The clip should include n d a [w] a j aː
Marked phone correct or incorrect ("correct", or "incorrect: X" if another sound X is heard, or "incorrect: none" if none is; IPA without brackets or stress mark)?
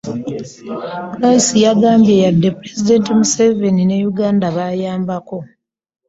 incorrect: β